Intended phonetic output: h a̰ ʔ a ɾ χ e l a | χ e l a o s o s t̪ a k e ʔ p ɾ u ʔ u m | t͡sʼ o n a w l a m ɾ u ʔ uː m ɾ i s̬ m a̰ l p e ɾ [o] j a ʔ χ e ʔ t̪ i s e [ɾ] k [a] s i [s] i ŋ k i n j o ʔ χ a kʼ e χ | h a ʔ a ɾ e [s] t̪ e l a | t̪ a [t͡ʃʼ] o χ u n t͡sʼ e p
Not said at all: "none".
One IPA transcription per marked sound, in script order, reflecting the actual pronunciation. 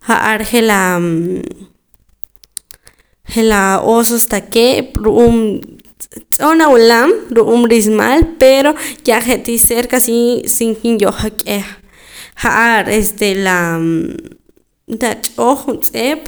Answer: o, ɾ, a, s, s, t͡ʃʼ

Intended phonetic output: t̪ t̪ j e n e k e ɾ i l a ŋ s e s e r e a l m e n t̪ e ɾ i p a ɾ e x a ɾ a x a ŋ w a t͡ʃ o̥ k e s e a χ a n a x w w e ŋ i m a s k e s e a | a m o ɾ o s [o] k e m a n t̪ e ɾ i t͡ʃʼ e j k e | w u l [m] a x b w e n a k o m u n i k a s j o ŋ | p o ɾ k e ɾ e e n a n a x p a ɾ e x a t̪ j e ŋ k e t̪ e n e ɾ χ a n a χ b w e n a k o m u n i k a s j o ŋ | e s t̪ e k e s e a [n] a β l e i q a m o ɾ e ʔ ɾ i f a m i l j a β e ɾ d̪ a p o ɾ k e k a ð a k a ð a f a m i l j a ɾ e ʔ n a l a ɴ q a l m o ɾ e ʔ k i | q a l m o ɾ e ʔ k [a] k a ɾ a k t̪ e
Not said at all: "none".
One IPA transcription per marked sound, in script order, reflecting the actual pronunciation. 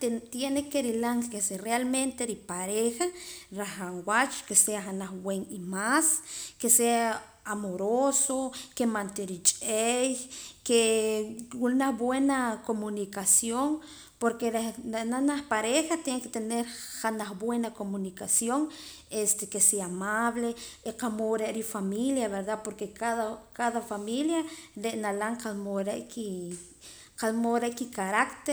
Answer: o, n, m, i

